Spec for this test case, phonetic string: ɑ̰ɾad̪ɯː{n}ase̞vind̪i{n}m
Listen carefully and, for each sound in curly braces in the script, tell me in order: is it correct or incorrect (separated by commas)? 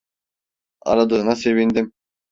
correct, incorrect